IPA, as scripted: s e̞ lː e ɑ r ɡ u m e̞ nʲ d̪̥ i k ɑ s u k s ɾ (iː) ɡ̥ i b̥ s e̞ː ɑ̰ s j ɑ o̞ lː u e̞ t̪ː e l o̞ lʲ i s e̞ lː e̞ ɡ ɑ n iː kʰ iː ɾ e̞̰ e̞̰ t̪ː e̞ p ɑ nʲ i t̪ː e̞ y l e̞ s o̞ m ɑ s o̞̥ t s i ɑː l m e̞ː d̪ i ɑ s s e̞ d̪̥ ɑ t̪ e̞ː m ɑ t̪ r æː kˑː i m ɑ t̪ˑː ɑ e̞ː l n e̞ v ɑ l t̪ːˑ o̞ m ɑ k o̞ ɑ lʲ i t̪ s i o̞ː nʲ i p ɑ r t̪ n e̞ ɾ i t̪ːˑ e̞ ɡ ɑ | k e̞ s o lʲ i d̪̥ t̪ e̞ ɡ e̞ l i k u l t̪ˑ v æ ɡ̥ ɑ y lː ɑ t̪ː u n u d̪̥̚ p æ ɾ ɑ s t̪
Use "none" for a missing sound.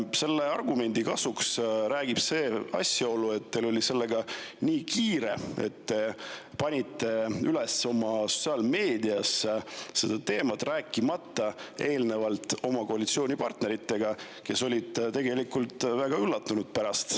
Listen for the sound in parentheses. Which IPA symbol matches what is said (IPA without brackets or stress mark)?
æː